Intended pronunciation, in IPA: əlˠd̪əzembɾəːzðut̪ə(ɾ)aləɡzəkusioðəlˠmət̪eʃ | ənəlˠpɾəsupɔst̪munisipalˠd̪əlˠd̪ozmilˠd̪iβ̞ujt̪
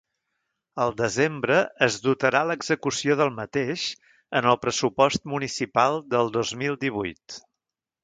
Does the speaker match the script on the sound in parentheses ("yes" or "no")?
yes